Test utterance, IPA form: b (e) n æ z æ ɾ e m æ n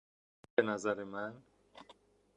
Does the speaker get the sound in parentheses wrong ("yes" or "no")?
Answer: no